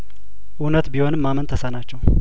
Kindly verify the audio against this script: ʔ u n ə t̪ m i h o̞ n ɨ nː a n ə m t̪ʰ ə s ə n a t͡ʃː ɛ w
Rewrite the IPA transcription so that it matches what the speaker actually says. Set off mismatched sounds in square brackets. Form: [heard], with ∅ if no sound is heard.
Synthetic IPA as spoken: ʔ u n ə t̪ [b] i h o̞ n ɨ [mː] a [m] ə [n] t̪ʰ ə s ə n a t͡ʃː ɛ w